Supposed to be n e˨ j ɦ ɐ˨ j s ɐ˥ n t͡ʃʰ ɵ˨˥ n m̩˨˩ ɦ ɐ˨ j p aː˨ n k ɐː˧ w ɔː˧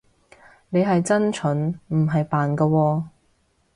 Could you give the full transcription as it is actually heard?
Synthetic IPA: n e˨ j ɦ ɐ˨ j t͡s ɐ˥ n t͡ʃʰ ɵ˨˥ n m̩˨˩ ɦ ɐ˨ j p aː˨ n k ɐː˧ w ɔː˧